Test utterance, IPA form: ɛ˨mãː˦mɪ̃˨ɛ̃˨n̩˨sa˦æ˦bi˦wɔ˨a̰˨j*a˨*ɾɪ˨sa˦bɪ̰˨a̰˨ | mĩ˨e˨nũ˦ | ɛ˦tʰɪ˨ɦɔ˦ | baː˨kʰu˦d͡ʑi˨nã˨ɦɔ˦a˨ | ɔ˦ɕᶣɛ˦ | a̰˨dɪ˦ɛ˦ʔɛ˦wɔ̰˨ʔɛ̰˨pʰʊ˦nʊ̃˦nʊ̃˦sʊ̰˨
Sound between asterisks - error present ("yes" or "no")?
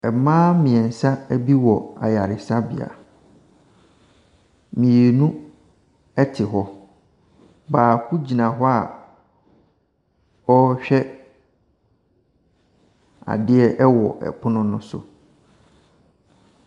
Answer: no